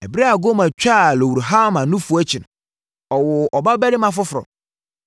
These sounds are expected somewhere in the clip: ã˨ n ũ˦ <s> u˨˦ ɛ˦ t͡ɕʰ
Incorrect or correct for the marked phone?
incorrect: f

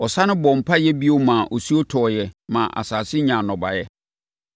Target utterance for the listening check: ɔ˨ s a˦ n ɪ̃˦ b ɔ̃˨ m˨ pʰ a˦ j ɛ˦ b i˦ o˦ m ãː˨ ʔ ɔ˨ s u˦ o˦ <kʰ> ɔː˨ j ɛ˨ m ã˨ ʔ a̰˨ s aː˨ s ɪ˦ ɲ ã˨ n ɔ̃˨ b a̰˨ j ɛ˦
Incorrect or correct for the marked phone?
incorrect: tʰ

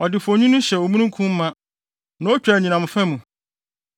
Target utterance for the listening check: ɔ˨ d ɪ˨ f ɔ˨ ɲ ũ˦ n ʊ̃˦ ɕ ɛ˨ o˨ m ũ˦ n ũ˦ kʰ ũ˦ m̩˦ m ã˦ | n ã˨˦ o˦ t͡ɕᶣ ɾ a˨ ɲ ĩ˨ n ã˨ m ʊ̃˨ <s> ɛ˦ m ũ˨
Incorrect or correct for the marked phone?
incorrect: f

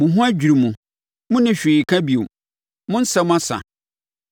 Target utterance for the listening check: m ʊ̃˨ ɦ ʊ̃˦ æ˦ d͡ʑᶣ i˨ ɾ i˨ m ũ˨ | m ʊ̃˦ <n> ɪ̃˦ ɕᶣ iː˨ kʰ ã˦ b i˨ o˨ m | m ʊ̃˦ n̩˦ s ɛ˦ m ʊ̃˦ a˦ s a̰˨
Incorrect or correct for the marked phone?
correct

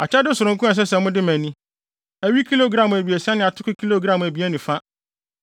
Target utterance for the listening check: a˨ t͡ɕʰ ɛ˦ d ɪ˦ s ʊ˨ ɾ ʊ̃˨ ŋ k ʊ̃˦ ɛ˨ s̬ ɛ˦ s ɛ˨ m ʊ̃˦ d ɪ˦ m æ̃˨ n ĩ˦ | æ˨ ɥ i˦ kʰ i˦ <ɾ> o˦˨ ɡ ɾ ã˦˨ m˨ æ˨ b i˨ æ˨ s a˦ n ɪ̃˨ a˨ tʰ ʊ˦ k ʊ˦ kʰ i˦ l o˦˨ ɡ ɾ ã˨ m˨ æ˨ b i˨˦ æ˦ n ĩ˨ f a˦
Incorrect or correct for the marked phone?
incorrect: l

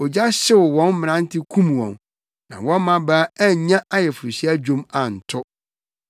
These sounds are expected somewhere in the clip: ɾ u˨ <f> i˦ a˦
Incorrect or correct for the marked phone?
incorrect: ɕ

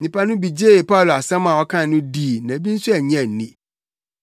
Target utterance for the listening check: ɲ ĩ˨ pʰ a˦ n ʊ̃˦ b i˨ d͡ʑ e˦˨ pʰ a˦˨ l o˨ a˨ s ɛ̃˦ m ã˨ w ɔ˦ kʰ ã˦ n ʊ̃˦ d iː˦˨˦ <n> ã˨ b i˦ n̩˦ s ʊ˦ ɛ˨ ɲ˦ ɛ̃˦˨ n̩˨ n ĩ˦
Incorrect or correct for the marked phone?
correct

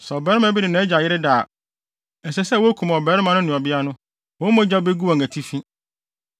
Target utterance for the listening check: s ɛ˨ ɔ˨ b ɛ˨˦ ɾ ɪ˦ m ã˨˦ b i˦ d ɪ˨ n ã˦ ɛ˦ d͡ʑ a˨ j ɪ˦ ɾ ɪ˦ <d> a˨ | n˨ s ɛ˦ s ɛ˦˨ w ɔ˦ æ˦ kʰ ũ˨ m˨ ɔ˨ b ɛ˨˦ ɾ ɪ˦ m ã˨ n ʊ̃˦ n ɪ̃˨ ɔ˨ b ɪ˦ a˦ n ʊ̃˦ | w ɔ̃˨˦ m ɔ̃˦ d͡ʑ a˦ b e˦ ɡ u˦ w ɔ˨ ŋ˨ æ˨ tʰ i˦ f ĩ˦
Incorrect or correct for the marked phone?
correct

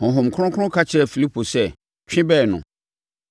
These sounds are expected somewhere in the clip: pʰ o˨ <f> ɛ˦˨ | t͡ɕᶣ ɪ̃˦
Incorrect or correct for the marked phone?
incorrect: s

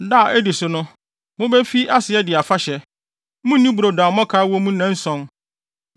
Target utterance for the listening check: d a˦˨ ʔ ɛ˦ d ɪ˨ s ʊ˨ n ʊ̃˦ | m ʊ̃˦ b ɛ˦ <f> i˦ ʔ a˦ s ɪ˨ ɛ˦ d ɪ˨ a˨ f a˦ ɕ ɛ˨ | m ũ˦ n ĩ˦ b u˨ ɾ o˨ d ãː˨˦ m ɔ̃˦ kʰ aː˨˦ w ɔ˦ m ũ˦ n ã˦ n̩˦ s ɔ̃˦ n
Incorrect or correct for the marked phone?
correct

